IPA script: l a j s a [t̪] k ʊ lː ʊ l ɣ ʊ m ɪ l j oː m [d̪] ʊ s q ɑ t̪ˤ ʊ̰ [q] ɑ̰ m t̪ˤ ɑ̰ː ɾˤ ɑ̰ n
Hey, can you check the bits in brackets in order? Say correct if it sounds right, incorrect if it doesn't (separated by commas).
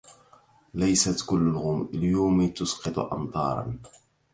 correct, incorrect, incorrect